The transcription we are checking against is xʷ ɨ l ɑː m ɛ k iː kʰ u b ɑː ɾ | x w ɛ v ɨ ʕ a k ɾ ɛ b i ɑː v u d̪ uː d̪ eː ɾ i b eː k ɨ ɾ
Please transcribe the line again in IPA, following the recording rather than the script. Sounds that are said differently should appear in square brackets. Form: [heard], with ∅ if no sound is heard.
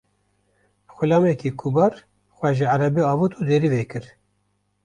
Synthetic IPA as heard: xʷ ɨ l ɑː m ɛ k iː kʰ u b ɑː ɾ | x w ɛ [ʒ] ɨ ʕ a [∅] ɾ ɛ b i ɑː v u [t̪] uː d̪ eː ɾ i [v] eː k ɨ ɾ